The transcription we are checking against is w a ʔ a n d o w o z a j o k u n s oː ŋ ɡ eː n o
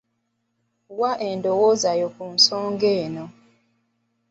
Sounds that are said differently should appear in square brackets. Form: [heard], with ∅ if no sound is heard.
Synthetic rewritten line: w a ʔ [e] n d o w o z a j o k u n s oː ŋ ɡ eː n o

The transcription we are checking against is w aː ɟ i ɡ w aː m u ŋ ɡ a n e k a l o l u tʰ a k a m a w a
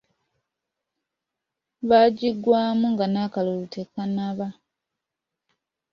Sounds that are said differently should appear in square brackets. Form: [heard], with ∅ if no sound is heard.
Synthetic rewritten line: [β] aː ɟ i ɡ w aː m u ŋ ɡ a n [a] k a l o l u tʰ [e] k a [n] a [β] a

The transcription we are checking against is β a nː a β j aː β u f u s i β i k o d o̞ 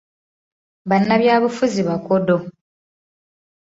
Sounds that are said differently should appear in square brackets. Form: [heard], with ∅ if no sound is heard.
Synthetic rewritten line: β a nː a β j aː β u f u [z] i β [a] k o d o̞

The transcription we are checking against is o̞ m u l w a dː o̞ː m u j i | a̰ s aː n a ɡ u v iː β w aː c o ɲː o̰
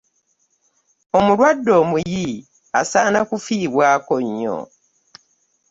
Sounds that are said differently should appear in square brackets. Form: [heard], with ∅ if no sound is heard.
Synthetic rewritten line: o̞ m u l w a dː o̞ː m u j i | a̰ s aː n a [k] u [f] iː β w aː [k] o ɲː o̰

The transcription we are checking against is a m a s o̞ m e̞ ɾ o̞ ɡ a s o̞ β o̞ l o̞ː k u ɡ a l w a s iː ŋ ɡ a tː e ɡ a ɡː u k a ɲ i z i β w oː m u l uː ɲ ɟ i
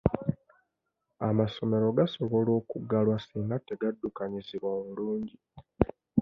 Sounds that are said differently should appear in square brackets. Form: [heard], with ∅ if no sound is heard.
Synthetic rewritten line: a m a s o̞ m e̞ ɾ o̞ ɡ a s o̞ β o̞ l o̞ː k u ɡ a l w a s iː ŋ ɡ a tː e ɡ a [dː] u k a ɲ i z i β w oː m u l uː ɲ ɟ i

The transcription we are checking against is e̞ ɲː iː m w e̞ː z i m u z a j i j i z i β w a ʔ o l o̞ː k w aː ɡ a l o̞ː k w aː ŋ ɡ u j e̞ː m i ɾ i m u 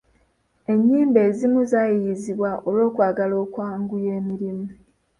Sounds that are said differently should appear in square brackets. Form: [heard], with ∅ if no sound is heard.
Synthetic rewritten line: e̞ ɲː iː m [b] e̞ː z i m u z a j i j i z i β w a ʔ o l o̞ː k w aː ɡ a l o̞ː k w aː ŋ ɡ u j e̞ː m i ɾ i m u

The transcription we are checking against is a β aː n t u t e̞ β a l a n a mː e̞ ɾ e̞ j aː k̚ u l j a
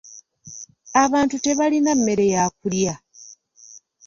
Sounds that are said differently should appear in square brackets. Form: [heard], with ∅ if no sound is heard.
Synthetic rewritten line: a β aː n t u t e̞ β a l [i] n a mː e̞ ɾ e̞ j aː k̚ u l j a

